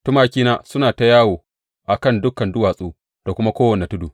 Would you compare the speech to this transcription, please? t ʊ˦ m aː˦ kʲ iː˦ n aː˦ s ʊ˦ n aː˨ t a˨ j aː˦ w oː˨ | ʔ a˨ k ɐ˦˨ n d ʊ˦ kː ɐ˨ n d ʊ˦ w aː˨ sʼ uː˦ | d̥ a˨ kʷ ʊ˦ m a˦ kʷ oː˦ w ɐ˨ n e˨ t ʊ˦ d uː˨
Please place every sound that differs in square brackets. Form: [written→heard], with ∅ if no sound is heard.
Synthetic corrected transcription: t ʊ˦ m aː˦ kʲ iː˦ n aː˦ s ʊ˦ n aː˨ t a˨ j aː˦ w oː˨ | ʔ a˨ k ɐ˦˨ n d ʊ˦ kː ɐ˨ n d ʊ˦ w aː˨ sʼ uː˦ | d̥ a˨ kʷ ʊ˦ m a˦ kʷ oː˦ w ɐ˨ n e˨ t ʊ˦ d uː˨